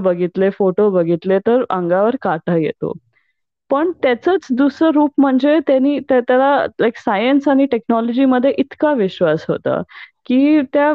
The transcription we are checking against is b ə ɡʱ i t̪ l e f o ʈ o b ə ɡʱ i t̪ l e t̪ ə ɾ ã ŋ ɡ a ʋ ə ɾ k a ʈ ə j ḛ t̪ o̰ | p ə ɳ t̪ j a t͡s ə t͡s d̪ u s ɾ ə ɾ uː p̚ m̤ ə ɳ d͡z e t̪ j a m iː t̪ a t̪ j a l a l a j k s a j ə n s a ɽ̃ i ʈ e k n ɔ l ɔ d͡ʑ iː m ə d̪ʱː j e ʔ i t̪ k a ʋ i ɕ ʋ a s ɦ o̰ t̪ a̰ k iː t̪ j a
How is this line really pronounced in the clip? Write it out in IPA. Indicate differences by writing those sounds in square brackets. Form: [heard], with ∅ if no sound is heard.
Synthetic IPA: b ə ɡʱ i t̪ l e f o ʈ o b ə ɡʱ i t̪ l e t̪ ə ɾ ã ŋ ɡ a ʋ ə ɾ k a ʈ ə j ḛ t̪ o̰ | p ə ɳ t̪ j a t͡s ə t͡s d̪ u s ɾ ə ɾ uː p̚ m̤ ə ɳ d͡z e t̪ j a [n] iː t̪ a t̪ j a l a l a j k s a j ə n s a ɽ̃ i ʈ e k n ɔ l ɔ d͡ʑ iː m ə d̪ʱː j e ʔ i t̪ k a ʋ i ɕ ʋ a s ɦ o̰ t̪ a̰ k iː t̪ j a